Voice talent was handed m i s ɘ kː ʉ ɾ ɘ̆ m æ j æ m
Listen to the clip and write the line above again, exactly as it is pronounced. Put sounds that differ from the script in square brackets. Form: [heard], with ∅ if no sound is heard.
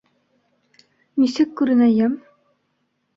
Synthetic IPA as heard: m i s ɘ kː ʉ ɾ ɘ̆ [n] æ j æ m